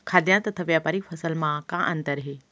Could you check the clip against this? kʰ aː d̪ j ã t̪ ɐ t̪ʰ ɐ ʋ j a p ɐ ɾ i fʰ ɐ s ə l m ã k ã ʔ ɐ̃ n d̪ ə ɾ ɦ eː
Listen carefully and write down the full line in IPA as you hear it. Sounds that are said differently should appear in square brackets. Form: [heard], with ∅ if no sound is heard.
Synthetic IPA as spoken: kʰ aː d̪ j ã t̪ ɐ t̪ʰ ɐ ʋ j a p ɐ ɾ i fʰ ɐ s ə l m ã k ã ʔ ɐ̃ n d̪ ə ɾ ɦ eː